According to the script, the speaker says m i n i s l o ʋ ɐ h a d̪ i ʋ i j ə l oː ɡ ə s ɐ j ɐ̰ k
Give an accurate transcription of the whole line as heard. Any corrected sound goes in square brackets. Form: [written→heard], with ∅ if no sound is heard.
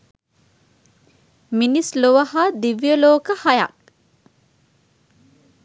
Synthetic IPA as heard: m i n i s l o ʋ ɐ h a d̪ i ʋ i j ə l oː [ɡ→k] ə [s→h] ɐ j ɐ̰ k